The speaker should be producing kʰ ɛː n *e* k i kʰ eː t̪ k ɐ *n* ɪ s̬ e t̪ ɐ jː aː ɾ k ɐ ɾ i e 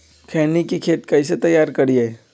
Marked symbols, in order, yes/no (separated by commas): no, no